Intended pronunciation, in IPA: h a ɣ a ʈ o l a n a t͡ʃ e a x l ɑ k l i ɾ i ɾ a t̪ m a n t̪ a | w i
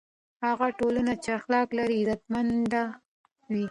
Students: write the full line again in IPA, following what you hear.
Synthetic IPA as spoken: h a ɣ a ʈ o l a n a t͡ʃ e a x l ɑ k l a ɾ i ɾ a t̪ m a n d̪ a | w i